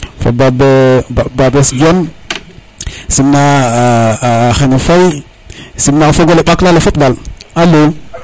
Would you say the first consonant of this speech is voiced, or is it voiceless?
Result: voiceless